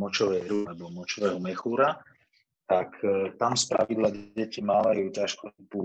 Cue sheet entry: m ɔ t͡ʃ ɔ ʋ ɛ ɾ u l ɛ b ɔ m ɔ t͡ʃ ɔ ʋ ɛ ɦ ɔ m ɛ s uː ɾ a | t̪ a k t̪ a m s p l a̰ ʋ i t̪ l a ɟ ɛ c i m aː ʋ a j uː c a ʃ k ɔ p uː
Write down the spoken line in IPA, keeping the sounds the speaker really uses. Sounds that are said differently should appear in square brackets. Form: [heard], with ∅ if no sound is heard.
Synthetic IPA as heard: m ɔ t͡ʃ ɔ ʋ ɛ ɾ u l ɛ b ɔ m ɔ t͡ʃ ɔ ʋ ɛ ɦ ɔ m ɛ [x] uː ɾ a | t̪ a k t̪ a m s p [ɾ] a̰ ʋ i [d̪] l a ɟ ɛ c i m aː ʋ a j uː c a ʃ k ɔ p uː